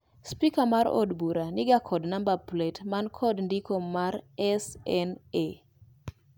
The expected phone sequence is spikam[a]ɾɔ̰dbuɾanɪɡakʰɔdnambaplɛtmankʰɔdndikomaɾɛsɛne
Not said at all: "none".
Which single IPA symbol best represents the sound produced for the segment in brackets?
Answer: a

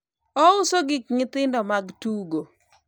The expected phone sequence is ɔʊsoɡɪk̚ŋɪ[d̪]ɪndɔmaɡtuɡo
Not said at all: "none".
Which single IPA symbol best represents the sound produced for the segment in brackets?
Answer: t̪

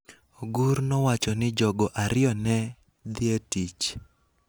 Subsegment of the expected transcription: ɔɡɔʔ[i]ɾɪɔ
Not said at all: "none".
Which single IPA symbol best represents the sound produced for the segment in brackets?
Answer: a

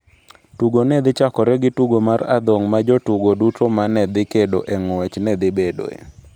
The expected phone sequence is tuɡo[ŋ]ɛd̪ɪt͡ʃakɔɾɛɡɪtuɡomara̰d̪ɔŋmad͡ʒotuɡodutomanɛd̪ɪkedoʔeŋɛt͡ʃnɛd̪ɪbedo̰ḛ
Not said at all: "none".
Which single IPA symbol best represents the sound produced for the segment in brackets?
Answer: n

